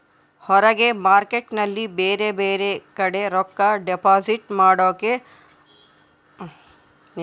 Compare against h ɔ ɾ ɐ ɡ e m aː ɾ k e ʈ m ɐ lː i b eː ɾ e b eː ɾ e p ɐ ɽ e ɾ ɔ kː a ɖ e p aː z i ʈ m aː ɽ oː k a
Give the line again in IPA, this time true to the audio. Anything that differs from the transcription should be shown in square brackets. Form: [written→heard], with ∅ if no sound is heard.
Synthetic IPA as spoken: h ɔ ɾ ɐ ɡ e m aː ɾ k e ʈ [m→n] ɐ lː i b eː ɾ e b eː ɾ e [p→k] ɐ ɽ e ɾ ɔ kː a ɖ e p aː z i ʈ m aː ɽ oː k [a→e]

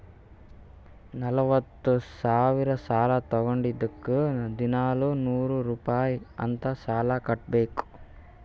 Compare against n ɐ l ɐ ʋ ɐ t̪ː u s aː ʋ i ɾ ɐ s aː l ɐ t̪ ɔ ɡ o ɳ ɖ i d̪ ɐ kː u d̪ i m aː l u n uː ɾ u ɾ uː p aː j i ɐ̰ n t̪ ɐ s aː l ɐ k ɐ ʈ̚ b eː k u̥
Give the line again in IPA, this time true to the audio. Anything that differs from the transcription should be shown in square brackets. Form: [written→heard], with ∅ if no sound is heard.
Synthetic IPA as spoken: n ɐ l ɐ ʋ ɐ t̪ː u s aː ʋ i ɾ ɐ s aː l ɐ t̪ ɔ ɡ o ɳ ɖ i d̪ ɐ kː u d̪ i [m→n] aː l u n uː ɾ u ɾ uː p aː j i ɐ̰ n t̪ ɐ s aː l ɐ k ɐ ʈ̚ b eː k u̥

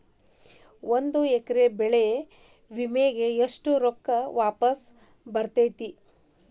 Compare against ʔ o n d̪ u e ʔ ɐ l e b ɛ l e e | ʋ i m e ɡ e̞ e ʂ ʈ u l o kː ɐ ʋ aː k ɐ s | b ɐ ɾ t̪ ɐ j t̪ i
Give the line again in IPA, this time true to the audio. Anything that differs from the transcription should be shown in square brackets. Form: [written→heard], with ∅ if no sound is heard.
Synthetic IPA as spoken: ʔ o n d̪ u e [ʔ→k] ɐ [l→ɾ] e b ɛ [l→ɭ] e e | ʋ i m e ɡ e̞ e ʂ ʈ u [l→ɾ] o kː ɐ ʋ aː [k→p] ɐ s | b ɐ ɾ t̪ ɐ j t̪ i

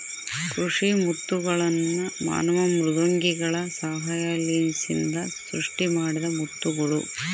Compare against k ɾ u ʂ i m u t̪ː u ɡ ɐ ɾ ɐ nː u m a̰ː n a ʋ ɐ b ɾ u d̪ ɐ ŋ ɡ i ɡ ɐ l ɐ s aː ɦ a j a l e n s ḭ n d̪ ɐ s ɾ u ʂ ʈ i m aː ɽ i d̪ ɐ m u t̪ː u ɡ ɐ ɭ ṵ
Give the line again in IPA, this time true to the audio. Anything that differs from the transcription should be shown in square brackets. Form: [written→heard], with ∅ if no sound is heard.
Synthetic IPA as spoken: k ɾ u ʂ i m u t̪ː u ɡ ɐ [ɾ→ɭ] ɐ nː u m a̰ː n [a→ɐ] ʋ ɐ [b→m] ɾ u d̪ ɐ ŋ ɡ i ɡ ɐ [l→ɭ] ɐ s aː ɦ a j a l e n s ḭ n d̪ ɐ s ɾ u ʂ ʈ i m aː ɽ i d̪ ɐ m u t̪ː u ɡ ɐ ɭ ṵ

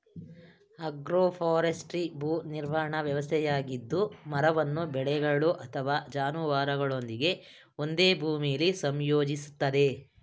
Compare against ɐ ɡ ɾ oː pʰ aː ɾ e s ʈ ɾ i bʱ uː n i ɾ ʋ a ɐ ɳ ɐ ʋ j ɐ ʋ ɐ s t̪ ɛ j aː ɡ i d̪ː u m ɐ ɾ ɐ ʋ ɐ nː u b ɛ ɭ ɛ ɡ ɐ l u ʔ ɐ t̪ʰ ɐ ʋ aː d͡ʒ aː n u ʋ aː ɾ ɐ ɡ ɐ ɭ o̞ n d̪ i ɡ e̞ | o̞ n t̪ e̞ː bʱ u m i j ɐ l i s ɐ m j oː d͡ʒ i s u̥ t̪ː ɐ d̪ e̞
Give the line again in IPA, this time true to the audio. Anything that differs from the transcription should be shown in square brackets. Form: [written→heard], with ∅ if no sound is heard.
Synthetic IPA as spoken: ɐ ɡ ɾ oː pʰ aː ɾ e s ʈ ɾ i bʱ uː n i ɾ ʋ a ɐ ɳ ɐ ʋ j ɐ ʋ ɐ s [t̪→t̪ʰ] ɛ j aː ɡ i d̪ː u m ɐ ɾ ɐ ʋ ɐ nː u b ɛ ɭ ɛ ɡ ɐ [l→ɭ] u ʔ ɐ t̪ʰ ɐ ʋ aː d͡ʒ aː n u ʋ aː ɾ ɐ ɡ ɐ ɭ o̞ n d̪ i ɡ e̞ | o̞ n [t̪→d̪] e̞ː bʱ [u→uː] m i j ɐ l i s ɐ m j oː d͡ʒ i s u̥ t̪ː ɐ d̪ e̞

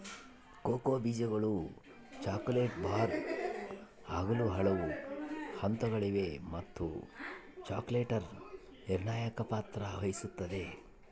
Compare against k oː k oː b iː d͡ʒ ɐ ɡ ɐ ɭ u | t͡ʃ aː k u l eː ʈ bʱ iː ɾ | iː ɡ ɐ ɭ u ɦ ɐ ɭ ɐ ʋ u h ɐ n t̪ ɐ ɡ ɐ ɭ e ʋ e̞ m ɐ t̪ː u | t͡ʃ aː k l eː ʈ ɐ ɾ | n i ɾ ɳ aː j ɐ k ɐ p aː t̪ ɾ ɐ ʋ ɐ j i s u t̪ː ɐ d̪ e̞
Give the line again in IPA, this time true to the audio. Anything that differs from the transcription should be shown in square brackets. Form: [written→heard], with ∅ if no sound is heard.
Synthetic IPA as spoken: k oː k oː b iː d͡ʒ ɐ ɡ ɐ ɭ u | t͡ʃ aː k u l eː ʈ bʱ [iː→aː] ɾ | [iː→aː] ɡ ɐ [ɭ→l] u ɦ ɐ ɭ ɐ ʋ u h ɐ n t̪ ɐ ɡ ɐ ɭ [e→i] ʋ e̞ m ɐ t̪ː u | t͡ʃ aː k l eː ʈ ɐ ɾ | n i ɾ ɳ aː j ɐ k ɐ p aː t̪ ɾ ɐ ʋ ɐ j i s u t̪ː ɐ d̪ e̞

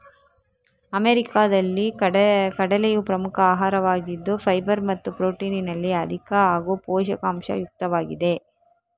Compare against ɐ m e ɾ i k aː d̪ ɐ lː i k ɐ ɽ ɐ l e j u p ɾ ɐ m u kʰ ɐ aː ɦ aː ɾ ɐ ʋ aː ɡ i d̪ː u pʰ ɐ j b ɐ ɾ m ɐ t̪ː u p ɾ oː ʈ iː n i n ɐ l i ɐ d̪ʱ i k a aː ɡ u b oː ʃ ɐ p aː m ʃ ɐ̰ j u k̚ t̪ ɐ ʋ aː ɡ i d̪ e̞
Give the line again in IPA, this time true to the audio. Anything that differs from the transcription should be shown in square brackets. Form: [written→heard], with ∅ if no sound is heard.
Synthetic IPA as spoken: ɐ m e ɾ i k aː d̪ ɐ lː i k ɐ ɽ ɐ l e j u p ɾ ɐ m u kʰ ɐ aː ɦ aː ɾ ɐ ʋ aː ɡ i d̪ː u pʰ ɐ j b ɐ ɾ m ɐ t̪ː u p ɾ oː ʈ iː n i n ɐ [l→lː] i ɐ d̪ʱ i k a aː ɡ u [b→p] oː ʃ ɐ [p→k] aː m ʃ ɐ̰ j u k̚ t̪ ɐ ʋ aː ɡ i d̪ e̞

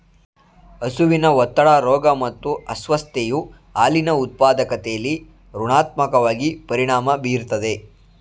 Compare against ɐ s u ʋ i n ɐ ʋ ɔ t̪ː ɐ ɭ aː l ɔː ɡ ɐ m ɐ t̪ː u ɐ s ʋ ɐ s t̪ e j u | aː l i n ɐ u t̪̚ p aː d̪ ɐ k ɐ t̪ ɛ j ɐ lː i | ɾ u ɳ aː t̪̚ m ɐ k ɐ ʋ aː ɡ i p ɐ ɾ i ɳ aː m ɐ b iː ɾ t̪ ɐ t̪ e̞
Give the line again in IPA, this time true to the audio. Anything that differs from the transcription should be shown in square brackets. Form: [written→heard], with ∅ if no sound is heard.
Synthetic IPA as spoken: ɐ s u ʋ i n ɐ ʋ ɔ t̪ː ɐ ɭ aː [l→ɾ] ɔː ɡ ɐ m ɐ t̪ː u ɐ s ʋ ɐ s t̪ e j u | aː l i n ɐ u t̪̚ p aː d̪ ɐ k ɐ t̪ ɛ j ɐ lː i | ɾ u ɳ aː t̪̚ m ɐ k ɐ ʋ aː ɡ i p ɐ ɾ i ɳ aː m ɐ b iː ɾ t̪ ɐ [t̪→d̪] e̞

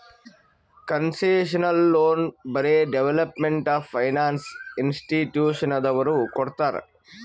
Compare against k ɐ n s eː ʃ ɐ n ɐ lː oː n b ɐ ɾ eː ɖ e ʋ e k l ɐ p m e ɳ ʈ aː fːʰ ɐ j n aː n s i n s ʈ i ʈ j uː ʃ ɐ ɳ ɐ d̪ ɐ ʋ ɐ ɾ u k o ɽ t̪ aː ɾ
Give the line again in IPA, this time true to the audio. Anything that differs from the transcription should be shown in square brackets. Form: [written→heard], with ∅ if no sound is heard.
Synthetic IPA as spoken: k ɐ n s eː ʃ ɐ n ɐ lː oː n b ɐ ɾ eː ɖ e ʋ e [k→∅] l ɐ p m e ɳ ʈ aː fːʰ ɐ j n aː n s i n s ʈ i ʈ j uː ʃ ɐ [ɳ→n] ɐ d̪ ɐ ʋ ɐ ɾ u k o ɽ t̪ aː ɾ

